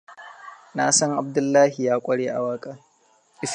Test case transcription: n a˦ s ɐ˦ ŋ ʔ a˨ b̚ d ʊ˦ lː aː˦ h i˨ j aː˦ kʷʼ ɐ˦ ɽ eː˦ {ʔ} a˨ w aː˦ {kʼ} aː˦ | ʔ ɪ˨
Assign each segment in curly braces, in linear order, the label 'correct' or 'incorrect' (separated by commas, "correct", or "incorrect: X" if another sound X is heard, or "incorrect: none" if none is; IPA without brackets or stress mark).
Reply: correct, correct